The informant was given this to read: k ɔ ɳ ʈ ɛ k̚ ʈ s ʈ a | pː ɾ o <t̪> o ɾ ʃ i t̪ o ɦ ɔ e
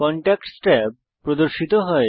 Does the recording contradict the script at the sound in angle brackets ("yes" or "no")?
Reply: yes